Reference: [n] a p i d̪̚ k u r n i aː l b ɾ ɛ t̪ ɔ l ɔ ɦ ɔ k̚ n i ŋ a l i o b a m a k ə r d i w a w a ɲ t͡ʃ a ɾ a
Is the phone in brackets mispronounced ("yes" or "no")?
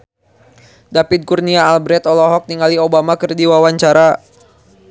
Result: yes